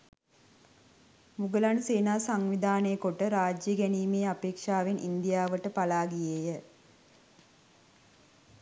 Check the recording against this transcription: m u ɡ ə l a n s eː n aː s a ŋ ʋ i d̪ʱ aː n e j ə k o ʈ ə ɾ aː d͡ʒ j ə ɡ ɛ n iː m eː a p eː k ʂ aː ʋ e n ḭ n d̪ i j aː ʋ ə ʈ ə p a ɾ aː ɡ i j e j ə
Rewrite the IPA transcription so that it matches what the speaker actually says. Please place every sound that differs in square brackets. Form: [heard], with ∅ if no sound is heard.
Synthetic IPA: m u ɡ ə l a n s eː n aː s a ŋ ʋ i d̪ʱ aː n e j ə k o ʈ ə ɾ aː d͡ʒ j ə ɡ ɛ n iː m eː a p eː k ʂ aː ʋ e n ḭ n d̪ i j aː ʋ ə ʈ ə p a [l] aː ɡ i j e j ə